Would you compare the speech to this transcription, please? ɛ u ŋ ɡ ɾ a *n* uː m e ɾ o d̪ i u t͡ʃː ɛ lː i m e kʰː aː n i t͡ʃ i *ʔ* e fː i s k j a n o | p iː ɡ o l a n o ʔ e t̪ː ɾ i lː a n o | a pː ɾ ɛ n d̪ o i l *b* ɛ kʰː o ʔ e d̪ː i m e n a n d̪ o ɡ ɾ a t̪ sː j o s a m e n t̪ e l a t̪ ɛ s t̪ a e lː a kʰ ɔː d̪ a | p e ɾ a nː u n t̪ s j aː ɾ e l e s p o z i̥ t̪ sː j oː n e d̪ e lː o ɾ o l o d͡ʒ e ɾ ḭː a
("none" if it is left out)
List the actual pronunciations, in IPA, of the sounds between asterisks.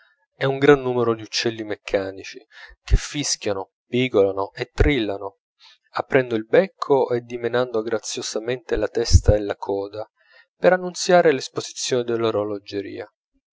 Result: nː, k, b

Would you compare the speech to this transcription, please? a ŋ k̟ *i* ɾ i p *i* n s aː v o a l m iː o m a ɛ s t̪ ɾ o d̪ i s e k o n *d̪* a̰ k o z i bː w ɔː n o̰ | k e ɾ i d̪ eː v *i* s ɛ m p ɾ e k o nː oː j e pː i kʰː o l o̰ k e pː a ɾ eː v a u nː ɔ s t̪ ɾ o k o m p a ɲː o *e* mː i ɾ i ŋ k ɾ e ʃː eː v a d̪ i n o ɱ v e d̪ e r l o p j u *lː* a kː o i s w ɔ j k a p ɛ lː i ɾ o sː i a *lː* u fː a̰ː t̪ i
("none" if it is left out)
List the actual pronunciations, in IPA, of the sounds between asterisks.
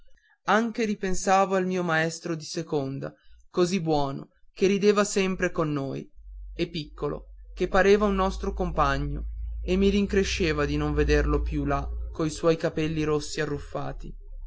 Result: e, e, d̪, a, e, l, rː

